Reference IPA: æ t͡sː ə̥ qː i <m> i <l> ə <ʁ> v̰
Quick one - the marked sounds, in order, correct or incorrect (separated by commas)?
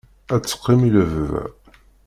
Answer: correct, correct, incorrect